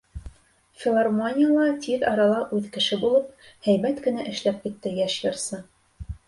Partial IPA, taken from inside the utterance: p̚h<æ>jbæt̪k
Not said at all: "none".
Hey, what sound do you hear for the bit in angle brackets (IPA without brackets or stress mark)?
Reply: æ